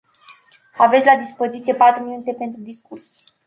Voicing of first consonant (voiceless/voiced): voiced